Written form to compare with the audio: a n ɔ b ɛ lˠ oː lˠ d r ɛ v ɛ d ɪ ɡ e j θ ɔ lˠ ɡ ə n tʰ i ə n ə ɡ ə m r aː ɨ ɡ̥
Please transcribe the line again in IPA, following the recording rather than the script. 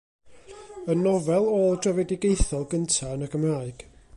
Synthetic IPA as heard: ə n ɔ v ɛ lˠ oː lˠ d r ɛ v ɛ d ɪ ɡ e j θ ɔ lˠ ɡ ə n tʰ a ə n ə ɡ ə m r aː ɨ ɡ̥